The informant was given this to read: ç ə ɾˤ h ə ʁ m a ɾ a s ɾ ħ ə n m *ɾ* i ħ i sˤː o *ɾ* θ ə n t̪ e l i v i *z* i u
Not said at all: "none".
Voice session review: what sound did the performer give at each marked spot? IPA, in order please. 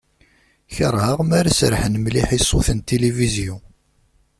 l, none, z

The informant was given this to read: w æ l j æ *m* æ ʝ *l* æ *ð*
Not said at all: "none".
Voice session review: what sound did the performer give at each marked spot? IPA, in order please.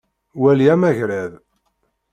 m, ɾ, ð

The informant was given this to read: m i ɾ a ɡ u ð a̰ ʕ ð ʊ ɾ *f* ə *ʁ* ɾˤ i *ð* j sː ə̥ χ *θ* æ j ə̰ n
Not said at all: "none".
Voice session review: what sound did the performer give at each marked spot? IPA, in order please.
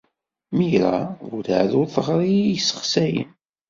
θ, ʁ, none, s

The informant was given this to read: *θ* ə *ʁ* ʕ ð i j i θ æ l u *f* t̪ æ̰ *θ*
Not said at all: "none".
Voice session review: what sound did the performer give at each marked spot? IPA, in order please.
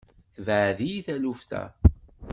θ, v, f, none

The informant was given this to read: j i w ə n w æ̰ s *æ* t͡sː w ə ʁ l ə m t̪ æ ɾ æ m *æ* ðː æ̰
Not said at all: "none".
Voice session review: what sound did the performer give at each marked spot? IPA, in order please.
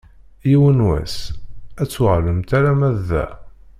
æ, æ

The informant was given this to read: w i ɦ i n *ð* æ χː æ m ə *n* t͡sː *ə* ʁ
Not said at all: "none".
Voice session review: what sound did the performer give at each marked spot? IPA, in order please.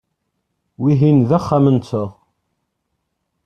ð, n, ə

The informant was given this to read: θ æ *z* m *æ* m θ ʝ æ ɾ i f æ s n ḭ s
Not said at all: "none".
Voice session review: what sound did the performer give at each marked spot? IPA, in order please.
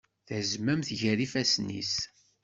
z, æ

